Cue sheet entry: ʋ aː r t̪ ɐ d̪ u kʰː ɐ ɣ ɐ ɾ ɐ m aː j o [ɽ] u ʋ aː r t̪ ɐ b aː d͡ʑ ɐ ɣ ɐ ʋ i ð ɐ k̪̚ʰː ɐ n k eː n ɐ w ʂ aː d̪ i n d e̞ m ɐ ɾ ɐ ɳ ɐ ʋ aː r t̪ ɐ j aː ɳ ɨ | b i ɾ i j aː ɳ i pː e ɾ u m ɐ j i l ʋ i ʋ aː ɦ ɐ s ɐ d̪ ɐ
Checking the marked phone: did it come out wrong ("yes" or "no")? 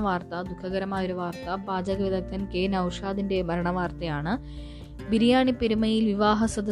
yes